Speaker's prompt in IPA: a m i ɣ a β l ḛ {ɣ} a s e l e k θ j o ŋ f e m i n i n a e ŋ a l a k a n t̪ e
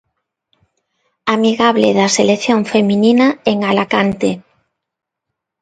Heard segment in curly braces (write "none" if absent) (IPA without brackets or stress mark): ð